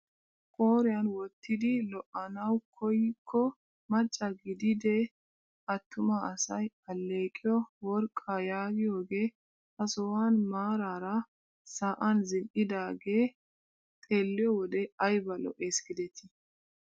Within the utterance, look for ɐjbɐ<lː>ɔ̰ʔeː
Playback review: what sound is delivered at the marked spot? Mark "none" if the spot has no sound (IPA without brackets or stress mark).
l